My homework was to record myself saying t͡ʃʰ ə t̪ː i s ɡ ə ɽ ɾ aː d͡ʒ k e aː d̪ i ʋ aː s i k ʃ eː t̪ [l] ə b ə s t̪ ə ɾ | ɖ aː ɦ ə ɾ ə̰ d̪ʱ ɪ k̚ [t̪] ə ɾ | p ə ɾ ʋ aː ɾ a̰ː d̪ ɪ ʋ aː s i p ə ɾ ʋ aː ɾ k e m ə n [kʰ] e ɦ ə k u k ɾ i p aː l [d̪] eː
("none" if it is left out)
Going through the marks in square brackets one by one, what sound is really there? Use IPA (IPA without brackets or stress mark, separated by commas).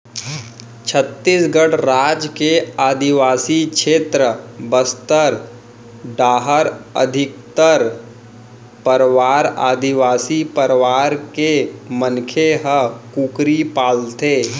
ɾ, t̪, kʰ, t̪